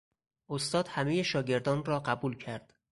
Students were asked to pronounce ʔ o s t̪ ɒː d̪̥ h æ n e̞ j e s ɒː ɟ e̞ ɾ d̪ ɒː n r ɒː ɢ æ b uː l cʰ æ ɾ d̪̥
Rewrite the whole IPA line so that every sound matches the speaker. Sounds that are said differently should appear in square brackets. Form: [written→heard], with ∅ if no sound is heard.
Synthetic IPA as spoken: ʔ o s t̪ ɒː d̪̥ h æ [n→m] e̞ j e [s→ʃ] ɒː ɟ e̞ ɾ d̪ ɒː n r ɒː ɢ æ b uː l cʰ æ ɾ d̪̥